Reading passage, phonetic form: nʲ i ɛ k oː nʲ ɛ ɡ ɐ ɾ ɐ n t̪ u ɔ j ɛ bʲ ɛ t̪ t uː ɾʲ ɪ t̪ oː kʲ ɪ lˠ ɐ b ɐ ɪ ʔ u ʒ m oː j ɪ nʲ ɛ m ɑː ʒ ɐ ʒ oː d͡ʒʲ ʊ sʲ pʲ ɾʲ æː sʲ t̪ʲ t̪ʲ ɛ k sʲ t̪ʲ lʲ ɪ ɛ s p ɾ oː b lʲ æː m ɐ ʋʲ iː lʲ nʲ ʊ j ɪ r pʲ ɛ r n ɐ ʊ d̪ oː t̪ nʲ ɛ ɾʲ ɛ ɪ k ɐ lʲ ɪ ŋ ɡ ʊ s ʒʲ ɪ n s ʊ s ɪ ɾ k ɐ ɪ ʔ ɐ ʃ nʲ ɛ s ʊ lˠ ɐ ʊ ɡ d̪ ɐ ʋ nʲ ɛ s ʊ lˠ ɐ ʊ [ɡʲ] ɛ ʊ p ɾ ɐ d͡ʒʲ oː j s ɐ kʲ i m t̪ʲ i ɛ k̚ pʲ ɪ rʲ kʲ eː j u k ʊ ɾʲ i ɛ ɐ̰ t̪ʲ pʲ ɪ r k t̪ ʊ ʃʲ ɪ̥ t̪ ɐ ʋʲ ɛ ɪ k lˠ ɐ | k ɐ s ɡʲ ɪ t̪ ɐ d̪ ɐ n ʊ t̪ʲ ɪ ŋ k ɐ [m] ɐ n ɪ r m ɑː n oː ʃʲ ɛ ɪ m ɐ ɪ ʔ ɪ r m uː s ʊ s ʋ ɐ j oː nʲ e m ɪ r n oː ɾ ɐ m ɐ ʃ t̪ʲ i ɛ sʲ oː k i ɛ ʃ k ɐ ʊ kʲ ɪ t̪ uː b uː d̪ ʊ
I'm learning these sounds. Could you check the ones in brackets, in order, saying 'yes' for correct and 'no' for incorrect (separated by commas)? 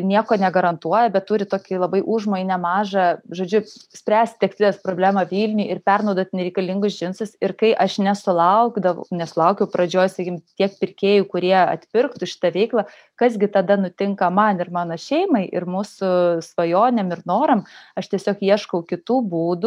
no, yes